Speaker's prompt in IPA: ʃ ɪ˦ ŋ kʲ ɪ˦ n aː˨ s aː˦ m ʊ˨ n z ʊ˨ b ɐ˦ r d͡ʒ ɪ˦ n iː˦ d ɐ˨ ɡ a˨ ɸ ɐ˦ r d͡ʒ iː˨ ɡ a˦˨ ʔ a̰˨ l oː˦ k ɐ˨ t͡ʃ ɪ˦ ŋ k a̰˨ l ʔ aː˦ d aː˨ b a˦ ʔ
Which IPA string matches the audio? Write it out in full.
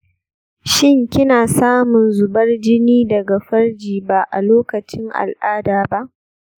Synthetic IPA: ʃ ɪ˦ ŋ kʲ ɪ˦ n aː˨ s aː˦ m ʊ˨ n z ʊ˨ b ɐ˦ r d͡ʒ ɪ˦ n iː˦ d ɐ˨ ɡ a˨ ɸ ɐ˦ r d͡ʒ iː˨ b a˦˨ ʔ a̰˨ l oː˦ k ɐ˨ t͡ʃ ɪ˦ ŋ ʔ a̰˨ l ʔ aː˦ d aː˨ b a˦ ʔ